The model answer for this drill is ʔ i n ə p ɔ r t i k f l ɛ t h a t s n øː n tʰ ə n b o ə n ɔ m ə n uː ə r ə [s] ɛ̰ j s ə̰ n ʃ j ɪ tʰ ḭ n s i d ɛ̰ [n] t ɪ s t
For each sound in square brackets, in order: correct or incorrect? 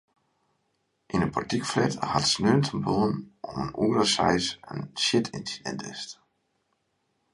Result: correct, correct

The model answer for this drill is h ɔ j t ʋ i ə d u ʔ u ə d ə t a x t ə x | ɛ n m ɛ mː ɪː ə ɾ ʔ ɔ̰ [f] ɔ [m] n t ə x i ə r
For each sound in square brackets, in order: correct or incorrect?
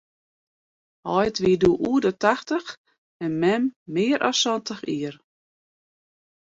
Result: incorrect: s, incorrect: none

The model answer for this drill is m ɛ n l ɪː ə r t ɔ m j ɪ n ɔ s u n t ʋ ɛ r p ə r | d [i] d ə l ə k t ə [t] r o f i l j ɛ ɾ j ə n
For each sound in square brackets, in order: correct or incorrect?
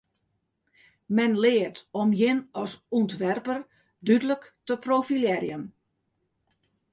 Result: incorrect: y, incorrect: p

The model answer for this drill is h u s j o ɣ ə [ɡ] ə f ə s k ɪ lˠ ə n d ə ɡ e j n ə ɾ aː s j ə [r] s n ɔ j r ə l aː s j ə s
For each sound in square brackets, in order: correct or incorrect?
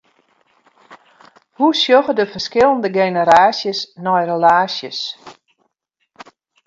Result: incorrect: d, incorrect: none

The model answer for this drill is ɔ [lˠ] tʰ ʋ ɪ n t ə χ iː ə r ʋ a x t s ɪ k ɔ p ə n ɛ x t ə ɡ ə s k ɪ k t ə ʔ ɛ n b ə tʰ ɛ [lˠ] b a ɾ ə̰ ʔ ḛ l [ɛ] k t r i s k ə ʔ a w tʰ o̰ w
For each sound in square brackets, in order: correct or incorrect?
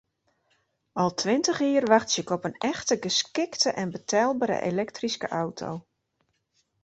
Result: correct, correct, correct

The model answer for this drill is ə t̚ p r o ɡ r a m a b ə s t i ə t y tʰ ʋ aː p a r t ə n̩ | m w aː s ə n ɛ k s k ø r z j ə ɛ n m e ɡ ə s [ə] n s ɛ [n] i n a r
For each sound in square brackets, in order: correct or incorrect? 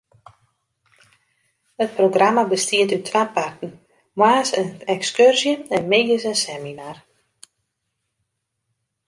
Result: correct, incorrect: m

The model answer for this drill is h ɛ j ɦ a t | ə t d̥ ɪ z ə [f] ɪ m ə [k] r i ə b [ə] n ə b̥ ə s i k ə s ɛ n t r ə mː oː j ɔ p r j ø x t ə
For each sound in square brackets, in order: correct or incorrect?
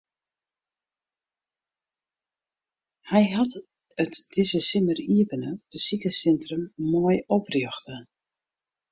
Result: incorrect: s, incorrect: none, correct

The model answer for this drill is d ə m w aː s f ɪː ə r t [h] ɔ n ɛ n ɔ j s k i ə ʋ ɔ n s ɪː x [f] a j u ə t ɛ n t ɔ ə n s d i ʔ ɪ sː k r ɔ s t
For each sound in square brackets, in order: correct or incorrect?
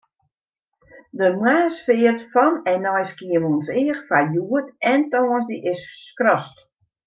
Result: incorrect: f, correct

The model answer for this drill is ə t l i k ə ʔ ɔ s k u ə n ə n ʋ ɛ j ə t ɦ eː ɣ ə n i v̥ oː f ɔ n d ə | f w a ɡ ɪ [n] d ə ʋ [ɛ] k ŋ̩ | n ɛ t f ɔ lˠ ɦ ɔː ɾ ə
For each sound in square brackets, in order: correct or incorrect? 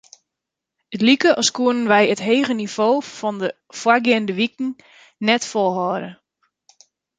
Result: correct, incorrect: i

